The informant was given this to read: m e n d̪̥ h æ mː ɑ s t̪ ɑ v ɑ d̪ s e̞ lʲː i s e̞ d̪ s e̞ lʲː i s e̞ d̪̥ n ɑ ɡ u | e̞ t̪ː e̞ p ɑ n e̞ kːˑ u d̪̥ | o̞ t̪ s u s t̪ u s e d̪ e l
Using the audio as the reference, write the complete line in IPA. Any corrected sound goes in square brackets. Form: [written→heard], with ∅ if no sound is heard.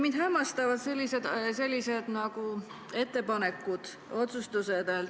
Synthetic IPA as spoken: m [e→i] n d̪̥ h æ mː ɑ s t̪ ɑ v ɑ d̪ s e̞ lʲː i s e̞ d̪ s e̞ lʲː i s e̞ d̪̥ n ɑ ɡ u | e̞ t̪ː e̞ p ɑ n e̞ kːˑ u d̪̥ | o̞ t̪ s u s t̪ u s e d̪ e l